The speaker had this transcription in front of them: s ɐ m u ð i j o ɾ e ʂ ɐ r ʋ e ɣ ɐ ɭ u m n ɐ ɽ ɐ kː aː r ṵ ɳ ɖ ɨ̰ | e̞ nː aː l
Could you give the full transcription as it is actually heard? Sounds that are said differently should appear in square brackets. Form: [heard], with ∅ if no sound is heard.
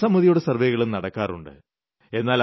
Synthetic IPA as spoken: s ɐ m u ð i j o [ɽ] e [s] ɐ r ʋ e ɣ ɐ ɭ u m n ɐ ɽ ɐ kː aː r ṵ ɳ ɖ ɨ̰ | e̞ nː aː l